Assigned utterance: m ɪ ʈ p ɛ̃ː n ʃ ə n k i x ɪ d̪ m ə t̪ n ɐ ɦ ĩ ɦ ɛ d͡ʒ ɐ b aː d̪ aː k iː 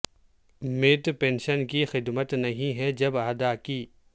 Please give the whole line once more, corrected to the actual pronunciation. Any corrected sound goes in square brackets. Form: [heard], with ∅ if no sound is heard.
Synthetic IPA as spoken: m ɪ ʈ p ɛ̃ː n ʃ ə n k i x ɪ d̪ m ə t̪ n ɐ ɦ ĩ ɦ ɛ d͡ʒ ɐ b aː d̪ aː k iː